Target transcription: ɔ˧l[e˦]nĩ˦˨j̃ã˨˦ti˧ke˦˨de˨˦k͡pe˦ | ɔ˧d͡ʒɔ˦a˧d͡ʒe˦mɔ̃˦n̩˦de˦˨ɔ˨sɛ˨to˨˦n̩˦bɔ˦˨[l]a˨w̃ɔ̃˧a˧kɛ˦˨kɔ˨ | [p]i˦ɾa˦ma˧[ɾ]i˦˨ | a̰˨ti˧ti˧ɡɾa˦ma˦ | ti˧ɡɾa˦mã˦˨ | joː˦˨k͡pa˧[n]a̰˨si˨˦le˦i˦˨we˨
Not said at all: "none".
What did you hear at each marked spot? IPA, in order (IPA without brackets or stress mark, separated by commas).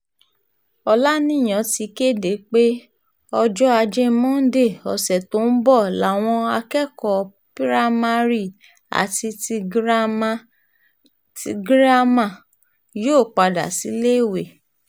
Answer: a˦, l, p, ɾ, d